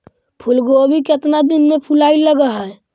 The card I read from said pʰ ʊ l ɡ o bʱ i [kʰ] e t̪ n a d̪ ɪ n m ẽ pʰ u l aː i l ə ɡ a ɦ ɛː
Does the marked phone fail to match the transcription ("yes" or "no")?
yes